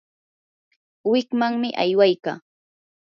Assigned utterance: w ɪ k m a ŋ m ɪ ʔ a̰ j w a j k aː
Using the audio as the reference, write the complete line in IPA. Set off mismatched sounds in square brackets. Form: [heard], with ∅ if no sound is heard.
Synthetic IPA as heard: w ɪ k m a ŋ m ɪ ʔ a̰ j w a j k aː